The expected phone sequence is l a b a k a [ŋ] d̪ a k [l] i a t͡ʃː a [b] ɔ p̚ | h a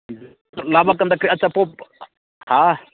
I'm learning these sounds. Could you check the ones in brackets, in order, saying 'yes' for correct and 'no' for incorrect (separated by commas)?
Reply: no, no, no